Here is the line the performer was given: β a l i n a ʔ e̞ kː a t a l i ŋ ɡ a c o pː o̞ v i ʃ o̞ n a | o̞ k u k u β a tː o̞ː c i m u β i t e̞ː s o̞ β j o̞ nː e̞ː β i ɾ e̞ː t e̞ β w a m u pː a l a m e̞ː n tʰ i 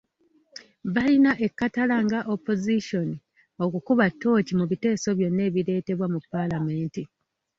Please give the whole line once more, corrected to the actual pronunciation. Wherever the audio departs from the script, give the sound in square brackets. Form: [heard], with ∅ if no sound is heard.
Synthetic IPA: β a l i n a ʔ e̞ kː a t a l [a] ŋ ɡ a [ʔ] o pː o̞ [z] i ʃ o̞ n [i] | o̞ k u k u β a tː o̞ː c i m u β i t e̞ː s o̞ β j o̞ nː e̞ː β i ɾ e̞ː t e̞ β w a m u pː a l a m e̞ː n [t] i